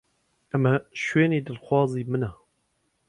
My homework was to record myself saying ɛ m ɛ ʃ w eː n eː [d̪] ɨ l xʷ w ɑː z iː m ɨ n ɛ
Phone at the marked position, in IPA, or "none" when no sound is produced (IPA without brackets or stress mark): d̪